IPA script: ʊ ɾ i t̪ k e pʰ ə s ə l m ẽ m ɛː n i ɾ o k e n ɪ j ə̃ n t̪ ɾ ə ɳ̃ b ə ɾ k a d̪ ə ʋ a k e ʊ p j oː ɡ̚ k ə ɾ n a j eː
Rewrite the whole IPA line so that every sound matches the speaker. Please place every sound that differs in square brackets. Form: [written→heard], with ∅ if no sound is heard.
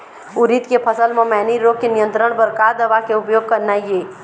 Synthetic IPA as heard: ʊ ɾ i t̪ k e pʰ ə s ə l m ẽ m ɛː n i ɾ o k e n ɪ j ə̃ n t̪ ɾ ə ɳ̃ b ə ɾ k a d̪ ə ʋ a k e ʊ p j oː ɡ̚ k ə ɾ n a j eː